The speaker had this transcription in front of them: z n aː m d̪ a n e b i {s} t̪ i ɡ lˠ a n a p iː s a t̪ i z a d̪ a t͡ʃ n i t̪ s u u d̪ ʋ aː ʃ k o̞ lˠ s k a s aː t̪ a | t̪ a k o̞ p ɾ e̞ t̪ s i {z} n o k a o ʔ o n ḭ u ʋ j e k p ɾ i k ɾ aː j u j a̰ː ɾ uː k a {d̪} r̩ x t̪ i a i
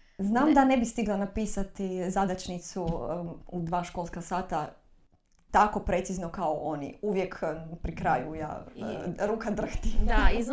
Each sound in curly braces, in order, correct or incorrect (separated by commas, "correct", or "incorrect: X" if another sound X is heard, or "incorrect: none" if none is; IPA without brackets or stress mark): correct, correct, correct